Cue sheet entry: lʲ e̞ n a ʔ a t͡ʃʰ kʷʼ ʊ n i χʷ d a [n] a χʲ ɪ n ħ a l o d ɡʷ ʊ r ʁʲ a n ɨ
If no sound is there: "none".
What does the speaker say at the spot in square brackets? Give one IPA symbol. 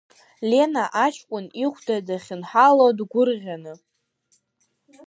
d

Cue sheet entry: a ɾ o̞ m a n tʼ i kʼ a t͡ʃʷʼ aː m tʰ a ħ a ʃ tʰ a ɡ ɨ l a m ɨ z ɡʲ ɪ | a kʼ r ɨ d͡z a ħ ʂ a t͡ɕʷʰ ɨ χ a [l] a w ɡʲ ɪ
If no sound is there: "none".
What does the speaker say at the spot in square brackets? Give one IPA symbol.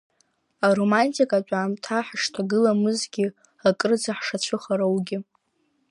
ɾ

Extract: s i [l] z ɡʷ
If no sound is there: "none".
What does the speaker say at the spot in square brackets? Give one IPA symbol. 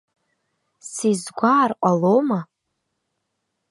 none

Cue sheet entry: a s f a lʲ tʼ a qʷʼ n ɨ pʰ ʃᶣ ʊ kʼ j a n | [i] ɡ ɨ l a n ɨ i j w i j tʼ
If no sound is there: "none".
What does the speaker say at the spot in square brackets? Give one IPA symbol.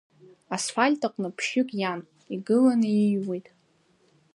i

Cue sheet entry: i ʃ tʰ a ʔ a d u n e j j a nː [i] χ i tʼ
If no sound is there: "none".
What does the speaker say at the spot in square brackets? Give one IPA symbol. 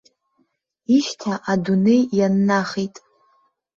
a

